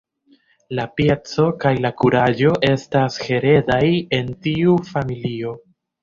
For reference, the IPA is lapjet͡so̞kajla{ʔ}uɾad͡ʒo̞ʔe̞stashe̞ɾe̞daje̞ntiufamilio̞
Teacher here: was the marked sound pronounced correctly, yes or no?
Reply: no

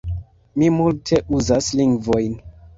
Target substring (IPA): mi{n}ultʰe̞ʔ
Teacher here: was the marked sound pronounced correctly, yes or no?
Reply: no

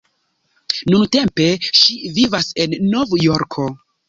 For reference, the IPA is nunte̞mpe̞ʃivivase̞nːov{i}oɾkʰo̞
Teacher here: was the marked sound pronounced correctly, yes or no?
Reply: no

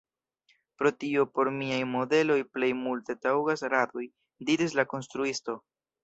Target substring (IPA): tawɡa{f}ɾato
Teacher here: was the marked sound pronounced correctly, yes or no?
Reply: no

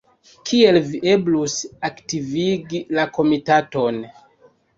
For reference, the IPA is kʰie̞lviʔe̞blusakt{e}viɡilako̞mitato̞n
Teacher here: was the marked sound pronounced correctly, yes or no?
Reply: no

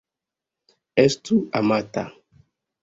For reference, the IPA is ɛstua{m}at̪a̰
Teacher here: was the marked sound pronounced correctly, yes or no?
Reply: yes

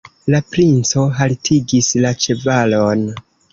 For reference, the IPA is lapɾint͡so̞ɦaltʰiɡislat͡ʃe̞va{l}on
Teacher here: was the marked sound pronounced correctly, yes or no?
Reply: yes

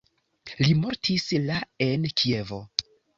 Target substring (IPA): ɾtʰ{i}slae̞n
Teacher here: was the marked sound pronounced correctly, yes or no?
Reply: yes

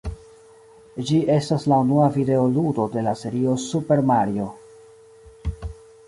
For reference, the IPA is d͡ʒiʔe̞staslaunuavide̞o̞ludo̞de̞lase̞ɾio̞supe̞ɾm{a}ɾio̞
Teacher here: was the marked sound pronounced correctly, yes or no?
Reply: yes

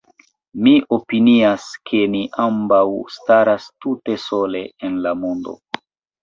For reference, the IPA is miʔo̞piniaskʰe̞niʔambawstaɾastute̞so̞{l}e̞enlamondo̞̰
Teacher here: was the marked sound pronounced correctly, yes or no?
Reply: yes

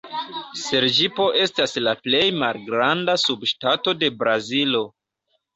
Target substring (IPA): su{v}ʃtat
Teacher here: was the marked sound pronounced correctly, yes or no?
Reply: no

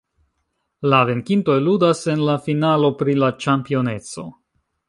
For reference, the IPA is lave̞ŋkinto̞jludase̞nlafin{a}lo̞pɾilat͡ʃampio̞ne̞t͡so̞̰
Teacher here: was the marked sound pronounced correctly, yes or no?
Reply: yes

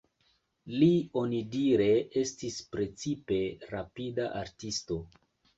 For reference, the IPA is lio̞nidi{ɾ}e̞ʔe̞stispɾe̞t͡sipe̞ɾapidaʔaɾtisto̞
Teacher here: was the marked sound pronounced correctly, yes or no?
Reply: yes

